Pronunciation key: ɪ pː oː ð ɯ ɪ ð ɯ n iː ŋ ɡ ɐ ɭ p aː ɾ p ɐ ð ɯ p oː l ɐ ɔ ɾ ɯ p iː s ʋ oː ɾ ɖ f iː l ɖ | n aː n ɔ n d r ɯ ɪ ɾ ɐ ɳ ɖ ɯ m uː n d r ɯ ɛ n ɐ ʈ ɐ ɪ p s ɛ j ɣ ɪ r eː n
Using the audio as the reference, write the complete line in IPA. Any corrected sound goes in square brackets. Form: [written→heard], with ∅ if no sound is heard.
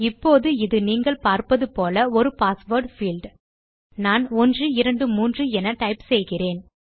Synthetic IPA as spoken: ɪ pː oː ð ɯ ɪ ð ɯ n iː ŋ ɡ ɐ ɭ p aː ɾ p ɐ ð ɯ p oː l ɐ ɔ ɾ ɯ p [iː→aː] s ʋ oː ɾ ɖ f iː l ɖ | n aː n ɔ n d r ɯ ɪ ɾ ɐ ɳ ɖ ɯ m uː n d r ɯ ɛ n ɐ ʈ ɐ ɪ p s ɛ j ɣ ɪ r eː n